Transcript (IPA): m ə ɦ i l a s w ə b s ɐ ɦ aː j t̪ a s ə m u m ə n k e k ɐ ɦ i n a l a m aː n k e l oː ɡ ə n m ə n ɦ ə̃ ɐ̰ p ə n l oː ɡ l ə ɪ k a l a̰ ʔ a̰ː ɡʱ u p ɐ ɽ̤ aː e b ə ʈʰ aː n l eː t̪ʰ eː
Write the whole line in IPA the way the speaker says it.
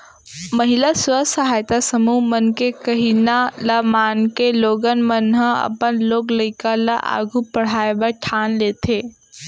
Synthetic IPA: m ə ɦ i l a s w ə s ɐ ɦ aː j t̪ a s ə m u m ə n k e k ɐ ɦ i n a l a m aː n k e l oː ɡ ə n m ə n ɦ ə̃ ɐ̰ p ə n l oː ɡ l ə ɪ k a l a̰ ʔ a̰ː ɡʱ u p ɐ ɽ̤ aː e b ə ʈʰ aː n l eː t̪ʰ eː